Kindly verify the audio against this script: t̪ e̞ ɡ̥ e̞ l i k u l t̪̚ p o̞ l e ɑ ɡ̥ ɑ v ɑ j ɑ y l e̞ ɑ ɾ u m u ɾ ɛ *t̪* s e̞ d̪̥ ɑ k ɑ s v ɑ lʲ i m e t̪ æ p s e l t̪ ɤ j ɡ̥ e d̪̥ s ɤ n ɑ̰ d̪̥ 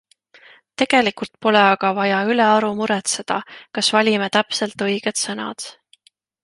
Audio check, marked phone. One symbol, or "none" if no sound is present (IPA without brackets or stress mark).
t̪